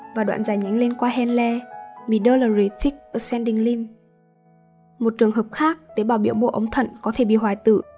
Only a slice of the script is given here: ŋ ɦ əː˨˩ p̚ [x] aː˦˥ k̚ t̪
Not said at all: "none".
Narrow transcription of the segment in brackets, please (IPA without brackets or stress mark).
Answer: x